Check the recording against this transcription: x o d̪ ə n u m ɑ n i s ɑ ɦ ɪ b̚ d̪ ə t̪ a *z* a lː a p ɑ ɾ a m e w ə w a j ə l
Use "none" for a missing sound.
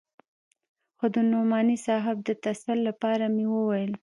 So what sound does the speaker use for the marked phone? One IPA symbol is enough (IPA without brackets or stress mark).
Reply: s